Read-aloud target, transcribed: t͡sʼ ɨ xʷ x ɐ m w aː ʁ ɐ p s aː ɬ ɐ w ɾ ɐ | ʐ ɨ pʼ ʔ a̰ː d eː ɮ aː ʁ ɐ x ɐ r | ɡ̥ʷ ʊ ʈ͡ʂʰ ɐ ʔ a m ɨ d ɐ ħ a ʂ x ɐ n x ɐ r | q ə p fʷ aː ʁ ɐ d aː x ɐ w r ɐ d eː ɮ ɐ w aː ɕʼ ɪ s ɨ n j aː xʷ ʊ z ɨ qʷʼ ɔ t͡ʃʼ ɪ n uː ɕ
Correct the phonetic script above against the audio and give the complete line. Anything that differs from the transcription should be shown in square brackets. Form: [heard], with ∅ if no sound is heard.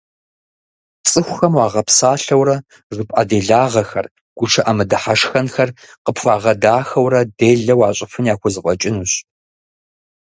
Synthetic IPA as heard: t͡sʼ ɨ xʷ x ɐ m w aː ʁ ɐ p s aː ɬ ɐ w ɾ ɐ | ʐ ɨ pʼ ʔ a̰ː d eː ɮ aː ʁ ɐ x ɐ r | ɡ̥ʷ ʊ ʈ͡ʂʰ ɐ ʔ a m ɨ d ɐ ħ a ʂ x ɐ n x ɐ r | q ə p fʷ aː ʁ ɐ d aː x ɐ w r ɐ d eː ɮ ɐ w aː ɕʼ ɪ [f] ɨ n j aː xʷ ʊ z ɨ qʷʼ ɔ t͡ʃʼ ɪ n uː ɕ